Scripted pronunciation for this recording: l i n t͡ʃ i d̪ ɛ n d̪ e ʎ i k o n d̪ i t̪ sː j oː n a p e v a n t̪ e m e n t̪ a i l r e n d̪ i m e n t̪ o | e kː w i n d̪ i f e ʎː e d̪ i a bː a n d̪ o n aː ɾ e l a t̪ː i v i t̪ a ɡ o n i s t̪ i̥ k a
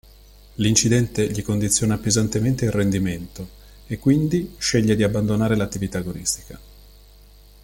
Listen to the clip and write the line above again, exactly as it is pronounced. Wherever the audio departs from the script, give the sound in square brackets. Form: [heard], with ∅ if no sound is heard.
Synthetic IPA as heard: l i n t͡ʃ i d̪ ɛ n [t̪] e ʎ i k o n d̪ i t̪ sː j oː n a p e [z] a n t̪ e m e n t̪ [e] i l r e n d̪ i m e n t̪ o | e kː w i n d̪ i [ʃ] e ʎː e d̪ i a bː a n d̪ o n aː ɾ e l a t̪ː i v i t̪ a ɡ o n i s t̪ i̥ k a